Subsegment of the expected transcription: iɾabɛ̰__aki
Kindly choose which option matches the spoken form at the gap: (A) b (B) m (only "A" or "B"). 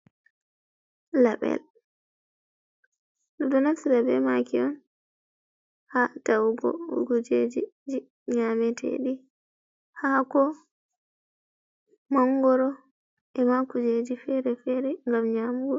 B